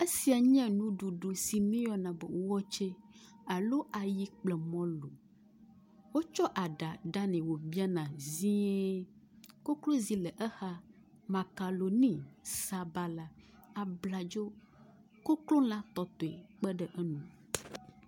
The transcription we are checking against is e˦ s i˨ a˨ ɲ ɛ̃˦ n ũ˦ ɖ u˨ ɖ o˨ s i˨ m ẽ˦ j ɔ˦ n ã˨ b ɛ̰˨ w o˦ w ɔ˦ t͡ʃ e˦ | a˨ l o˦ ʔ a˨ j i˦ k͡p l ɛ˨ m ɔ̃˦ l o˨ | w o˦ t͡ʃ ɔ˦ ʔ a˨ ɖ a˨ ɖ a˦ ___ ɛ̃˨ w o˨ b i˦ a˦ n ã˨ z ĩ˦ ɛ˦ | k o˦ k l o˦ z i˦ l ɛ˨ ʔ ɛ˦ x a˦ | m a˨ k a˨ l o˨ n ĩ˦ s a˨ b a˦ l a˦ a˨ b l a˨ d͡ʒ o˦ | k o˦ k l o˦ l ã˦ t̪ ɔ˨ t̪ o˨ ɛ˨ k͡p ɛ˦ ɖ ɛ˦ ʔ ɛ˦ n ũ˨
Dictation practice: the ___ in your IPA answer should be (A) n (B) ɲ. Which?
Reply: A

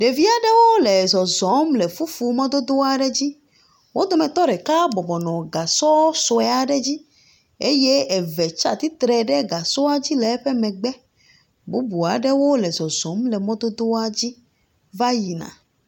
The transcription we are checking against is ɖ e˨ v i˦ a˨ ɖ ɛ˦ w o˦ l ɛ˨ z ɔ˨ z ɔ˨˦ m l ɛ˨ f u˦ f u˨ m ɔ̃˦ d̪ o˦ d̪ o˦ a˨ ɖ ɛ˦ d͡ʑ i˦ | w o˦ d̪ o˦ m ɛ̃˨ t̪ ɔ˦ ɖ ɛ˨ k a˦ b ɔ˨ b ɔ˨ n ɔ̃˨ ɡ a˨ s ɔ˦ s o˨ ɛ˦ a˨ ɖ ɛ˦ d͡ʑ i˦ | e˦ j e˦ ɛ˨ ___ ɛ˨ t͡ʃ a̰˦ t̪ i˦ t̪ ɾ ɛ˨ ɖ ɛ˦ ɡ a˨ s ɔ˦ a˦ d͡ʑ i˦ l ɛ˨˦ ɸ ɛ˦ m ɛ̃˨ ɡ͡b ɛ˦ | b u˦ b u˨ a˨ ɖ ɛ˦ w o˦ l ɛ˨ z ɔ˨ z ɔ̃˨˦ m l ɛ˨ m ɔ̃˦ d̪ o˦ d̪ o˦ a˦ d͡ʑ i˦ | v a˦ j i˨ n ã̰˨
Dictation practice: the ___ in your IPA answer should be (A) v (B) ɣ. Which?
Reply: A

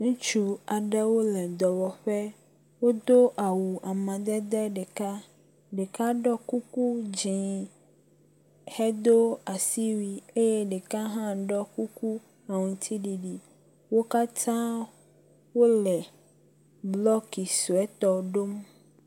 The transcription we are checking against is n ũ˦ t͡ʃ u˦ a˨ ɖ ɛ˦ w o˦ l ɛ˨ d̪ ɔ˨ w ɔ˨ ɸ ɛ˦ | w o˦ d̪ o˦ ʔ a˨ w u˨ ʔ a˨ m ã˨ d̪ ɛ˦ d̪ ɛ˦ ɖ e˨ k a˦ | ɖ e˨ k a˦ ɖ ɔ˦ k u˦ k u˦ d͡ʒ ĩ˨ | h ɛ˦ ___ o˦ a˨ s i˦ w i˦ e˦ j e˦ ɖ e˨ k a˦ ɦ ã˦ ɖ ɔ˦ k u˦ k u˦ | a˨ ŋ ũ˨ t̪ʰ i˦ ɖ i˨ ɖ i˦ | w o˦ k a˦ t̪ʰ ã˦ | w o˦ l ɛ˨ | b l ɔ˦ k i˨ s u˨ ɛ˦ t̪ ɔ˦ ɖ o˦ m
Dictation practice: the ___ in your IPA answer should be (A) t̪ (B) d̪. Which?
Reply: B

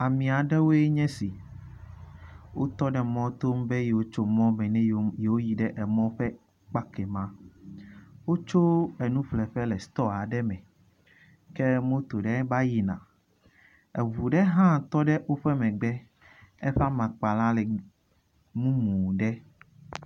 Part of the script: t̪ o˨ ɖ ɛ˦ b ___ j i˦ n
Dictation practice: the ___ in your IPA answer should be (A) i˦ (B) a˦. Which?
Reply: B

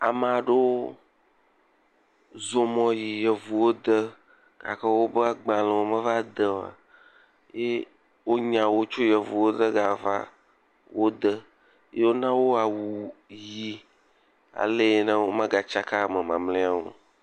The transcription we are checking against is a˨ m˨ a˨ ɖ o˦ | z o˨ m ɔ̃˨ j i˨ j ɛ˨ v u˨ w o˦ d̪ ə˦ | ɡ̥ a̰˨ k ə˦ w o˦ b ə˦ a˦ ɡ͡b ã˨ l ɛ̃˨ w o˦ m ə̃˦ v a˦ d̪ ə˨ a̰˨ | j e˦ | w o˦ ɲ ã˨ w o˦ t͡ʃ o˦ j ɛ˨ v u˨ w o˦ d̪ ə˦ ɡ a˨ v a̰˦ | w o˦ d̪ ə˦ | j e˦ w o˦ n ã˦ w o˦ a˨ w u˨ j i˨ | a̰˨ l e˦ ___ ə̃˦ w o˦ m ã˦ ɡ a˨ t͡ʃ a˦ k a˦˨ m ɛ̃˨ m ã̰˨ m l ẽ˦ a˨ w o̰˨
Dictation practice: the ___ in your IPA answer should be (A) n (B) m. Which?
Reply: A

